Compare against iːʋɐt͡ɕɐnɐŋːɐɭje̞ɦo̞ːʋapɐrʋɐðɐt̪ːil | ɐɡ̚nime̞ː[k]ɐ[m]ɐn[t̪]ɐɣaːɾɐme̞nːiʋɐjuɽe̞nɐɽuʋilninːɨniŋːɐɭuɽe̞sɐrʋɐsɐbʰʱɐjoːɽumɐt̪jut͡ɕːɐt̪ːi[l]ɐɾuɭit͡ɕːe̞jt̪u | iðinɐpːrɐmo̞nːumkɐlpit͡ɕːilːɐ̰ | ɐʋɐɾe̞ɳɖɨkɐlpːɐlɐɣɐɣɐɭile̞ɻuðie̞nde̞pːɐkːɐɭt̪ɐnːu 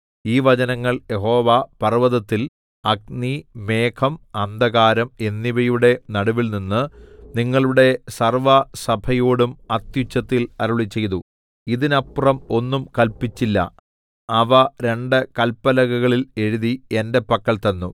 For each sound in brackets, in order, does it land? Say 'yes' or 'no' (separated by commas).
no, yes, no, yes